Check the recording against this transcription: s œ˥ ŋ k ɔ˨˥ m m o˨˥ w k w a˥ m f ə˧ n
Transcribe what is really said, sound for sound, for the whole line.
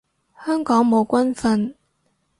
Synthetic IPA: h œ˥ ŋ k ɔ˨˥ ŋ m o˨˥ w k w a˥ n f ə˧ n

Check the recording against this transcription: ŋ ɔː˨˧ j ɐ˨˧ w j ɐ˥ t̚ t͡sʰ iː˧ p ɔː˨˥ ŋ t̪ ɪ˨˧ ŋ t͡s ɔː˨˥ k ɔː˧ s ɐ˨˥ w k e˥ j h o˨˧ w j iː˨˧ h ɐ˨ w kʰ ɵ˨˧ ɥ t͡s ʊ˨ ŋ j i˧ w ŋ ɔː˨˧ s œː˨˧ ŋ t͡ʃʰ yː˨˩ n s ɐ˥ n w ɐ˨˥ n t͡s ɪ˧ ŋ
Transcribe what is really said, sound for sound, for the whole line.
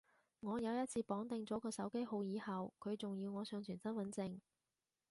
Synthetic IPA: ŋ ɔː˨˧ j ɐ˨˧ w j ɐ˥ t̚ t͡sʰ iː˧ p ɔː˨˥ ŋ t̪ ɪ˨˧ ŋ t͡s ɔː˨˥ k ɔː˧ s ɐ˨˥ w k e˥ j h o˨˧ w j iː˨˧ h ɐ˨ w kʰ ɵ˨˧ ɥ t͡s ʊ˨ ŋ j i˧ w ŋ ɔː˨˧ s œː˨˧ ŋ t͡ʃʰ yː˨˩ n s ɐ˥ n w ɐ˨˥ n t͡s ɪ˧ ŋ

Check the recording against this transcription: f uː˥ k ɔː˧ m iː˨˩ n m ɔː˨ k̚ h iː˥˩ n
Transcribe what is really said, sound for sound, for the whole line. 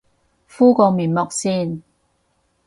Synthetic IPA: f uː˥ k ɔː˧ m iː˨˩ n m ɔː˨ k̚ s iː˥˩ n

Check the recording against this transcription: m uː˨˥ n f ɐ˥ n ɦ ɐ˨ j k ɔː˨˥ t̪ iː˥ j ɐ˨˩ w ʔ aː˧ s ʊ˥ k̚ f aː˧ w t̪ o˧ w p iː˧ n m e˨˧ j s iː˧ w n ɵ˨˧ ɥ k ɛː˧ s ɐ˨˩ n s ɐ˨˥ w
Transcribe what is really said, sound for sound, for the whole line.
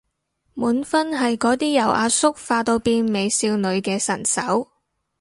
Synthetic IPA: m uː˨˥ n f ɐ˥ n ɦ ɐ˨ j k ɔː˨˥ t̪ iː˥ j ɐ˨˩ w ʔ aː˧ s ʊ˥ k̚ f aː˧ t̪ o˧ w p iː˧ n m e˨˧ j s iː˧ w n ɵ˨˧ ɥ k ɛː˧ s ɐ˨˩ n s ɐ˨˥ w

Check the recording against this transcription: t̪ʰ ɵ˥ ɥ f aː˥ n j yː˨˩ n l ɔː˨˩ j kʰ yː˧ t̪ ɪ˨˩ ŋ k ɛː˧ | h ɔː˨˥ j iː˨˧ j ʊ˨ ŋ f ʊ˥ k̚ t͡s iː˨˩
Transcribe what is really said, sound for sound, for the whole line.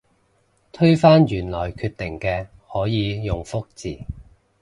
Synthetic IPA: t̪ʰ ɵ˥ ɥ f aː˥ n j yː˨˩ n l ɔː˨˩ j kʰ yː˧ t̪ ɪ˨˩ ŋ k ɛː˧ | h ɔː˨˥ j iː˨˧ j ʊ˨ ŋ f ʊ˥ k̚ t͡s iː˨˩

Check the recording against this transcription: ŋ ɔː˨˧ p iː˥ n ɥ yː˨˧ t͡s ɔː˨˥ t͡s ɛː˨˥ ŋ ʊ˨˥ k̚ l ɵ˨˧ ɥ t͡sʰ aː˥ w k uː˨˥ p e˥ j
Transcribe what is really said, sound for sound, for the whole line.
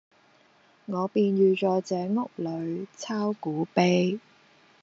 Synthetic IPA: ŋ ɔː˨˧ p iː˧ n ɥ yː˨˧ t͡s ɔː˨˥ t͡s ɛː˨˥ ŋ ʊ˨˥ k̚ l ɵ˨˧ ɥ t͡sʰ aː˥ w k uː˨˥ p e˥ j

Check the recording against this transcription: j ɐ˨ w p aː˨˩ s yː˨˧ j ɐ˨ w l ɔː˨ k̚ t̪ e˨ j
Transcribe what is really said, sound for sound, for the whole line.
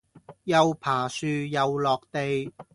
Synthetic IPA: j ɐ˨ w pʰ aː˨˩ s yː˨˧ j ɐ˨ w l ɔː˨ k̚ t̪ e˨ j

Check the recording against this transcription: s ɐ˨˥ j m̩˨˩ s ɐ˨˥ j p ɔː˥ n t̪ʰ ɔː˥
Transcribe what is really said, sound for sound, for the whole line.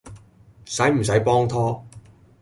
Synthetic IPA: s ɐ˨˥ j m̩˨˩ s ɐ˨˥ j p ɔː˥ ŋ t̪ʰ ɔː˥

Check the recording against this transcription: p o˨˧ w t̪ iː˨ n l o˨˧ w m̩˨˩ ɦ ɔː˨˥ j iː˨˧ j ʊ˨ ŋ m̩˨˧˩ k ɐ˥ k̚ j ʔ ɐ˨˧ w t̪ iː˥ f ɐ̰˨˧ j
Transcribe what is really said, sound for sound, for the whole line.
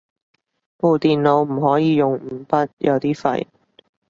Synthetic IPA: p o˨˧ w t̪ iː˨ n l o˨˧ w m̩˨˩ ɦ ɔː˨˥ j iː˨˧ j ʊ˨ ŋ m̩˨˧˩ p ɐ˥ t̚ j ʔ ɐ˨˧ w t̪ iː˥ f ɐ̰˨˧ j

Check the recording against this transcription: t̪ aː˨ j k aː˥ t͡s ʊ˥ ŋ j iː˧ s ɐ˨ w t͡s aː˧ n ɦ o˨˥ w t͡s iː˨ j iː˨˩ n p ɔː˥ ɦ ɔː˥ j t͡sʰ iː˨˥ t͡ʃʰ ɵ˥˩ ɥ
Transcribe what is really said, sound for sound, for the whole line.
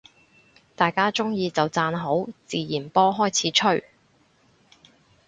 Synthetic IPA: t̪ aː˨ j k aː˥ t͡s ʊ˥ ŋ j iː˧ t͡s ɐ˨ w t͡s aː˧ n ɦ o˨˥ w t͡s iː˨ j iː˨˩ n p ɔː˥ ɦ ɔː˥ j t͡sʰ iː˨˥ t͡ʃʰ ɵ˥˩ ɥ

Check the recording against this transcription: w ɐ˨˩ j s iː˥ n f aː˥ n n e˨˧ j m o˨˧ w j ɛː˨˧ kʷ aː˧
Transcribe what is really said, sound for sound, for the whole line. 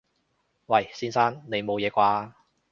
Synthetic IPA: w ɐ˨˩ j s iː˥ n s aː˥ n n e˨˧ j m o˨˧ w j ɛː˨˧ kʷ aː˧

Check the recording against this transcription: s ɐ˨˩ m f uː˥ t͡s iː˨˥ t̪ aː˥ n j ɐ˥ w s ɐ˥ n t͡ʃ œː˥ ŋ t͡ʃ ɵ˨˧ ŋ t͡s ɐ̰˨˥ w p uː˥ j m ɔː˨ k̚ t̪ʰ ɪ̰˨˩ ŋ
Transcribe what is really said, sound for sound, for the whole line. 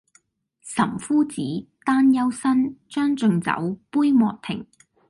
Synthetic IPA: s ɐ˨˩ m f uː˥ t͡s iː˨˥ t̪ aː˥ n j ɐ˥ w s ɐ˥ n t͡ʃ œː˥ ŋ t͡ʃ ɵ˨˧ ŋ t͡s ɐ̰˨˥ w p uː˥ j m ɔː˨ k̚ t̪ʰ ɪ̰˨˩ ŋ

